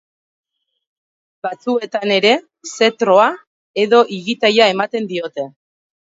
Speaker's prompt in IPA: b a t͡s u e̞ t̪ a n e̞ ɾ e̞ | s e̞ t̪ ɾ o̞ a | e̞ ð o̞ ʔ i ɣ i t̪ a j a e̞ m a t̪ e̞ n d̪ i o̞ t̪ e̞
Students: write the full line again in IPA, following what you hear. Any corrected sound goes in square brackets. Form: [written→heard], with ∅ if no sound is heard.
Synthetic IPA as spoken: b a t͡s u e̞ t̪ a n e̞ ɾ e̞ | s e̞ t̪ ɾ o̞ a | e̞ ð o̞ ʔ i ɣ i t̪ a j a e̞ m a t̪ e̞ n d̪ i o̞ t̪ e̞